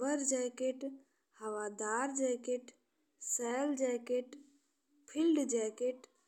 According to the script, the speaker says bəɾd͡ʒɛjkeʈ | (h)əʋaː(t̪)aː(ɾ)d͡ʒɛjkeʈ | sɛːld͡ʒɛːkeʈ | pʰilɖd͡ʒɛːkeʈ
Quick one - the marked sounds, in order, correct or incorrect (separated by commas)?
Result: correct, incorrect, correct